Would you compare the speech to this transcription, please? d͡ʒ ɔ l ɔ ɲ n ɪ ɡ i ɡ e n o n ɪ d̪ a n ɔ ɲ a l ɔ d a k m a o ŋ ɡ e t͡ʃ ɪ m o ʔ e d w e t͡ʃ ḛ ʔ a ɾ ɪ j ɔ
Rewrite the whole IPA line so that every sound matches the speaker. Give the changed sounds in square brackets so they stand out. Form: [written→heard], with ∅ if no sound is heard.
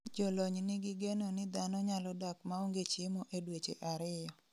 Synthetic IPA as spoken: d͡ʒ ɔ l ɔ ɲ n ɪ ɡ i ɡ e n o n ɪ d̪ a n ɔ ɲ a l ɔ d a k m a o ŋ ɡ e t͡ʃ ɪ m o ʔ e d w e t͡ʃ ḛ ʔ a ɾ ɪ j ɔ